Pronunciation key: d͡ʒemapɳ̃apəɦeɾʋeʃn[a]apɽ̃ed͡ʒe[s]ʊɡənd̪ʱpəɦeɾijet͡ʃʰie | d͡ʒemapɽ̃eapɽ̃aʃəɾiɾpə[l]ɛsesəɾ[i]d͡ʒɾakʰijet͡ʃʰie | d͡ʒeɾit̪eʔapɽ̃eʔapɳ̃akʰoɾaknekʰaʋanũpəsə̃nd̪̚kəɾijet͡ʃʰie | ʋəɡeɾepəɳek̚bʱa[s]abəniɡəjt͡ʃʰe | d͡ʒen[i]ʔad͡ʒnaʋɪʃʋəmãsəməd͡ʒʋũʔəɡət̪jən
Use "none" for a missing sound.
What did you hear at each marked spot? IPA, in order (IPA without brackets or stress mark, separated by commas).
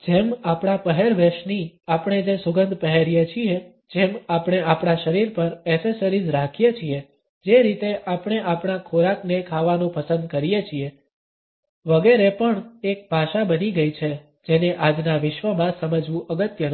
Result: i, s, ɾ, i, ʃ, e